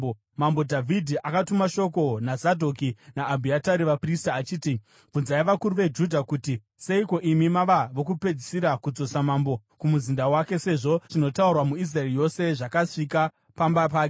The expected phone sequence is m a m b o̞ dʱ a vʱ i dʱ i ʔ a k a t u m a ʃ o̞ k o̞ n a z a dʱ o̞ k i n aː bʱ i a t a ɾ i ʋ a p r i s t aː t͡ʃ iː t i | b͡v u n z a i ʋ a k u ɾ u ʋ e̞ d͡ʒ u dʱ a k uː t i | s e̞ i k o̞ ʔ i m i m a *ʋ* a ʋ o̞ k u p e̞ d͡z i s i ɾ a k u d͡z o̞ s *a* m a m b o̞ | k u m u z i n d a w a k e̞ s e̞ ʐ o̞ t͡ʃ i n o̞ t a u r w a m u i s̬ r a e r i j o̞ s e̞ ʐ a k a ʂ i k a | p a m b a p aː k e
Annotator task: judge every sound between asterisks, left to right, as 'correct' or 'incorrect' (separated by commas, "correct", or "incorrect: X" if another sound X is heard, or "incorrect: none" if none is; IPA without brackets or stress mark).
correct, correct